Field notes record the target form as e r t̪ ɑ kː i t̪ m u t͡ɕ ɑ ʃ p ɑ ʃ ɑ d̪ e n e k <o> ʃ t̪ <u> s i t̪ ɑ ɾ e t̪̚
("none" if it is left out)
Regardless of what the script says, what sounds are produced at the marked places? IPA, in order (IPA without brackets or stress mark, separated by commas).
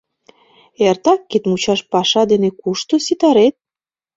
u, o